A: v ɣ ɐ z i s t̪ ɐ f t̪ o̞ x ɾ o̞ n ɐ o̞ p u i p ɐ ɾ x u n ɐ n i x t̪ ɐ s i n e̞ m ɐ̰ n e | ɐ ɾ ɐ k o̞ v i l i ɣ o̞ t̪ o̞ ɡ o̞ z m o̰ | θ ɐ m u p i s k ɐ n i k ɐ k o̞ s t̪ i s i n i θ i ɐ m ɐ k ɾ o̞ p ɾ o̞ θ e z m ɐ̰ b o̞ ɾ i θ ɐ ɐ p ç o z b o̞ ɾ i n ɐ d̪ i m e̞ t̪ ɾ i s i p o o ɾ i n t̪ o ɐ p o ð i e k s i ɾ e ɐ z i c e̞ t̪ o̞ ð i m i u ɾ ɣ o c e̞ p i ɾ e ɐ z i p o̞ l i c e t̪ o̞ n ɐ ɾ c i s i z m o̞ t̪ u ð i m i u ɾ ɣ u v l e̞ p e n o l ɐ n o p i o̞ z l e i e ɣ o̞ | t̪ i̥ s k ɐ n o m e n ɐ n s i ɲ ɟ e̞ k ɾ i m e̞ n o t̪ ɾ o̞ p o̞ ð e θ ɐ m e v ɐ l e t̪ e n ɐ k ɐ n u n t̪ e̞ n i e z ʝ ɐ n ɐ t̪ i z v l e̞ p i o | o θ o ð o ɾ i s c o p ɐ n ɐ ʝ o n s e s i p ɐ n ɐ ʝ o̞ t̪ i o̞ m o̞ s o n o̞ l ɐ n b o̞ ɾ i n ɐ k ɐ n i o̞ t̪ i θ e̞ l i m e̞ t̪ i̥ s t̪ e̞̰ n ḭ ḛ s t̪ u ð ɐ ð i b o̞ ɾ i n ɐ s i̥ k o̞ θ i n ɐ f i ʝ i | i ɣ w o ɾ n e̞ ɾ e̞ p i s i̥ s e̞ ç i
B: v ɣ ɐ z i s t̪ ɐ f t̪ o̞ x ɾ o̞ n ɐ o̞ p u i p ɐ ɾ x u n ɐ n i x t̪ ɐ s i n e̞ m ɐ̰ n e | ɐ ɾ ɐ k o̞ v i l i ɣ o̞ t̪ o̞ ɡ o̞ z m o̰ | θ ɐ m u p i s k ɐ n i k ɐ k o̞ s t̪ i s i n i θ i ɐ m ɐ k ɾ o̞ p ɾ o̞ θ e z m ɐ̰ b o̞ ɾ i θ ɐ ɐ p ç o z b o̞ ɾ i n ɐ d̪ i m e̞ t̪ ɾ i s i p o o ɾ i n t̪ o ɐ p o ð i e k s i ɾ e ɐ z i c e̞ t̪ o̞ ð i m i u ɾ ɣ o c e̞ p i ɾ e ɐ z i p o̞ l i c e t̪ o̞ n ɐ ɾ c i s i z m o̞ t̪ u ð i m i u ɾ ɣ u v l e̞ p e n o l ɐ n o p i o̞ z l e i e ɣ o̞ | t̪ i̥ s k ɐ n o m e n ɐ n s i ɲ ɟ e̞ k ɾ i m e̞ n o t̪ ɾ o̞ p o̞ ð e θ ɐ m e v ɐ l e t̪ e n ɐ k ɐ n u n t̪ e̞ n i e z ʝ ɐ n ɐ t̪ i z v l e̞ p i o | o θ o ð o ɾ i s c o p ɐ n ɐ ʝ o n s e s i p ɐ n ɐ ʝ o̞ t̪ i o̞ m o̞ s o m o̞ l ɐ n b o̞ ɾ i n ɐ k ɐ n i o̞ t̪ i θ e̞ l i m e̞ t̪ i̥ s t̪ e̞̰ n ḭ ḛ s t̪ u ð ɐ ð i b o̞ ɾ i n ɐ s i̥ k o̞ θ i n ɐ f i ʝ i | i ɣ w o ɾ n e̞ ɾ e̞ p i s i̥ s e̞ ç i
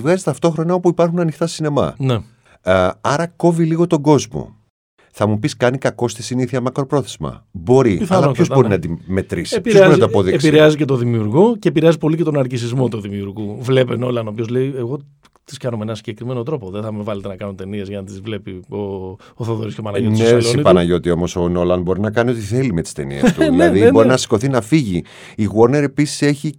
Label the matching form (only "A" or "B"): A